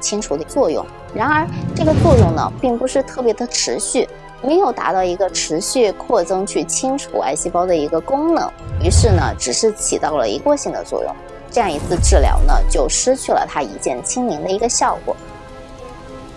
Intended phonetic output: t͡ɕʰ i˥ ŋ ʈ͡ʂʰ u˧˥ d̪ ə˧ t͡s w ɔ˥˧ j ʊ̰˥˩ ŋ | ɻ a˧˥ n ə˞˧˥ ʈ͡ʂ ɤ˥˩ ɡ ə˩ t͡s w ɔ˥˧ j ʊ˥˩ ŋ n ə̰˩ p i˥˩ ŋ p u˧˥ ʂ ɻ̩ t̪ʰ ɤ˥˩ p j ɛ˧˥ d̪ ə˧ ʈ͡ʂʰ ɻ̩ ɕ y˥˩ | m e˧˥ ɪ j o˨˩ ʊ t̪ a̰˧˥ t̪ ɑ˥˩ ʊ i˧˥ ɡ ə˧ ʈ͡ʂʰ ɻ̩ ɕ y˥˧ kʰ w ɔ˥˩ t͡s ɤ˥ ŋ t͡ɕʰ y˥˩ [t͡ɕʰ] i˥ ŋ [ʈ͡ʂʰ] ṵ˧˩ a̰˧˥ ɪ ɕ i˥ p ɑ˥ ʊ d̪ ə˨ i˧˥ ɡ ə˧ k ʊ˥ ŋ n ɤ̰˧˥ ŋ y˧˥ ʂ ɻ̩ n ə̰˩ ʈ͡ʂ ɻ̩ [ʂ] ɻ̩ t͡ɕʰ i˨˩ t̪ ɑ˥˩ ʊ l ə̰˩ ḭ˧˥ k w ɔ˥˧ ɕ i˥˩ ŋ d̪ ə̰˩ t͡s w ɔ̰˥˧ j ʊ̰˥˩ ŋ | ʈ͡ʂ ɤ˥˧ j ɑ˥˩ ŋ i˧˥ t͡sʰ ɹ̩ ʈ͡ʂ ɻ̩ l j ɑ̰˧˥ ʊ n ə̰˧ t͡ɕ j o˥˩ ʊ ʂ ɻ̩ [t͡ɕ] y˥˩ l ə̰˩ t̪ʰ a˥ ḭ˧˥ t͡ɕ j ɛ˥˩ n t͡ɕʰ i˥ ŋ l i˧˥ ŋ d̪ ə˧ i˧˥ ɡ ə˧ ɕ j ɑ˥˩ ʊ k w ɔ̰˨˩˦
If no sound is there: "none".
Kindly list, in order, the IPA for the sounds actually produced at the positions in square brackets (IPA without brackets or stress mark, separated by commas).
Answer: t͡ɕʰ, ʈ͡ʂʰ, ʂ, t͡ɕʰ